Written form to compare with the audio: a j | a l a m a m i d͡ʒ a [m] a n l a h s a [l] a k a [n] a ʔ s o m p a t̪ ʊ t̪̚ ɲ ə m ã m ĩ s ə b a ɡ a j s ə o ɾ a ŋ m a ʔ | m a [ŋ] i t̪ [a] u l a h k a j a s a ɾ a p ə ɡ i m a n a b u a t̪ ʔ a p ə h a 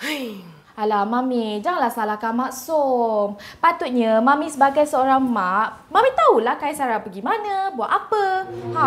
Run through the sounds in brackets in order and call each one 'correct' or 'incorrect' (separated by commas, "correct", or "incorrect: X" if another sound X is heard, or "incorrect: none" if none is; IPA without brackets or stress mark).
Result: incorrect: ŋ, correct, incorrect: m, incorrect: m, correct